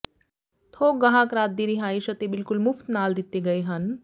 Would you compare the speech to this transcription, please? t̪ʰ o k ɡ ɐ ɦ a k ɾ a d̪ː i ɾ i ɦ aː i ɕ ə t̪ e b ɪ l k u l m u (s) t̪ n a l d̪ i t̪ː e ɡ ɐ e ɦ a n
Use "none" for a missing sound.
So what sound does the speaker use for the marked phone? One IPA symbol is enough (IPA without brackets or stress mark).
f